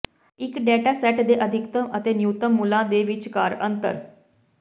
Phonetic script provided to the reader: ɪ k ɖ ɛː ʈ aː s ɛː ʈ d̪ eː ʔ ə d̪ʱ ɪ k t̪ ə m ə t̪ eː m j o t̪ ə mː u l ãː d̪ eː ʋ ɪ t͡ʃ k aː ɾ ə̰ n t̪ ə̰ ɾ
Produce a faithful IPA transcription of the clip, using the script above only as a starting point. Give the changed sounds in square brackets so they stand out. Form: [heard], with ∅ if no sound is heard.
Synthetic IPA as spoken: ɪ k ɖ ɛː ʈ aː s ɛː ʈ d̪ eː ʔ ə d̪ʱ ɪ k t̪ ə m ə t̪ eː [n] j [u] t̪ ə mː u l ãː d̪ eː ʋ ɪ t͡ʃ k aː ɾ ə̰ n t̪ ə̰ ɾ